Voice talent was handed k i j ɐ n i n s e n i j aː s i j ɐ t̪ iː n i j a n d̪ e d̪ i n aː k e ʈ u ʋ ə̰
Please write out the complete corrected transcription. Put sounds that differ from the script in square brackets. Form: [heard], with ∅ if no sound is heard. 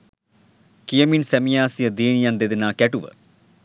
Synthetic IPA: k i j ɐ [m] i n s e [m] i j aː s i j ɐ [d̪] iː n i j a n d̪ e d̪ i n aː k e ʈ u ʋ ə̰

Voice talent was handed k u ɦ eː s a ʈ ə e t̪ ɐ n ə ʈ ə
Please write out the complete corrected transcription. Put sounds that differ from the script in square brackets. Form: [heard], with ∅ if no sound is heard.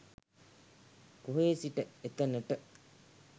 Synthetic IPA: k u ɦ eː s [i] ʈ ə e t̪ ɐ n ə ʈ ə

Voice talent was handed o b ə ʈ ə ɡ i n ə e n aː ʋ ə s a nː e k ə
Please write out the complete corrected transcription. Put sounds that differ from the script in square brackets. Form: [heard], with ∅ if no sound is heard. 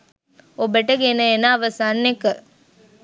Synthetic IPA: o b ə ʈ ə ɡ [e] n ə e n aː ʋ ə s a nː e k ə

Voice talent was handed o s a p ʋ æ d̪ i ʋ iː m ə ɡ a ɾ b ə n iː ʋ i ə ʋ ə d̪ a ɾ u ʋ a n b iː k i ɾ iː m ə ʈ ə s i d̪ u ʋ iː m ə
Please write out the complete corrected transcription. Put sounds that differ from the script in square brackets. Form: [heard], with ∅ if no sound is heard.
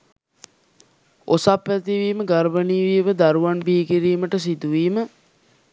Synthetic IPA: o s a p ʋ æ [t̪] i ʋ iː m ə ɡ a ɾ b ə n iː ʋ i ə ʋ ə d̪ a ɾ u ʋ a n b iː k i ɾ iː m ə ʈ ə s i d̪ u ʋ iː m ə

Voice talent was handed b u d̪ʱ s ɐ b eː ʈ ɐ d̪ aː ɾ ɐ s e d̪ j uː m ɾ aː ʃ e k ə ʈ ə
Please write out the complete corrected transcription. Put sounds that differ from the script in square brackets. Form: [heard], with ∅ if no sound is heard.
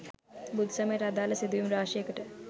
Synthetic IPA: b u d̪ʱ s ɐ [m] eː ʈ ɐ d̪ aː [l] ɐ s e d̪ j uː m ɾ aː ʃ e k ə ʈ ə

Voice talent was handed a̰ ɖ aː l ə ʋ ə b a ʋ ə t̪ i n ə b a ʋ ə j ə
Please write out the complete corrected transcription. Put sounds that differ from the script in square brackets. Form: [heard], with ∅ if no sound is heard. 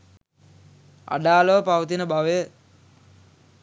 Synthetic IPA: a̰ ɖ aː l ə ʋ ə [p] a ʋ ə t̪ i n ə b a ʋ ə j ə

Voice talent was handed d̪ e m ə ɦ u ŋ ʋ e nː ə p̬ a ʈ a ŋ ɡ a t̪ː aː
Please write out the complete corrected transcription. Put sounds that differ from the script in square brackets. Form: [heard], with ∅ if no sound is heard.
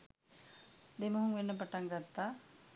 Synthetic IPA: d̪ e m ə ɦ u ŋ ʋ e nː ə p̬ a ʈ a ŋ ɡ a t̪ː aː

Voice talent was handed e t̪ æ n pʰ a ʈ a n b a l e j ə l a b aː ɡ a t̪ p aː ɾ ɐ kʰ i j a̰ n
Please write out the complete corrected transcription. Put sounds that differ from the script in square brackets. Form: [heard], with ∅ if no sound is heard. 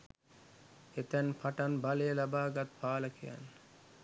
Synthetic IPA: e t̪ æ n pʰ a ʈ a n b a l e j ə l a b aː ɡ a t̪ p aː [l] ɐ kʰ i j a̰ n

